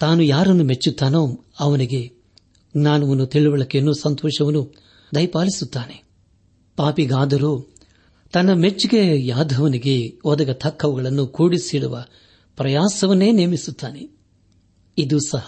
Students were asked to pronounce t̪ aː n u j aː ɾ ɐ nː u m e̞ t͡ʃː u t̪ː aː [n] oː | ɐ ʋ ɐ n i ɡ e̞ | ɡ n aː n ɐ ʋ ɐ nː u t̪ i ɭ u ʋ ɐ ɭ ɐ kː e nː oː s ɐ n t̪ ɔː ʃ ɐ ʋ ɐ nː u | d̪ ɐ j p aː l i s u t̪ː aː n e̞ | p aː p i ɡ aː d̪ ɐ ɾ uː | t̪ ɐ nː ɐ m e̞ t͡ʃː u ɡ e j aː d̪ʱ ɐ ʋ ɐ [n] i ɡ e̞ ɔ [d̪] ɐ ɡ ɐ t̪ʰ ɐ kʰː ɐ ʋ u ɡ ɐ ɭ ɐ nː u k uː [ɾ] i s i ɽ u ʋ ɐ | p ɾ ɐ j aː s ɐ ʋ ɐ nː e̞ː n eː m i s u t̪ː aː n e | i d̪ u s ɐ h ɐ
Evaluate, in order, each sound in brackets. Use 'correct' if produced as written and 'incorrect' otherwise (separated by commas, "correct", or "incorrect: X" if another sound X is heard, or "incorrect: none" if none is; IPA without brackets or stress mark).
correct, correct, correct, incorrect: ɽ